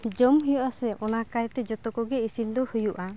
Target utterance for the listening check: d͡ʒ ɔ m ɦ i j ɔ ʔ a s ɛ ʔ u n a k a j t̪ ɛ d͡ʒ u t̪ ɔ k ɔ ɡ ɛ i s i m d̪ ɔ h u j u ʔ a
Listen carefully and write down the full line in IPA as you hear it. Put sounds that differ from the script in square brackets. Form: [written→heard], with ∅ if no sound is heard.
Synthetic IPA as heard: d͡ʒ ɔ m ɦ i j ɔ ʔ a s ɛ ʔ [u→ɔ] n a k a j t̪ ɛ d͡ʒ [u→ɔ] t̪ ɔ k ɔ ɡ ɛ i s i [m→n] d̪ ɔ h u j u ʔ a